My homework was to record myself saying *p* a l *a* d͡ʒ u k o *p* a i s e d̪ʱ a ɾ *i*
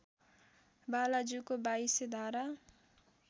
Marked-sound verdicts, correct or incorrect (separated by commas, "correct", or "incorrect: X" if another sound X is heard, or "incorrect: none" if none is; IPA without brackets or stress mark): incorrect: b, correct, incorrect: b, incorrect: a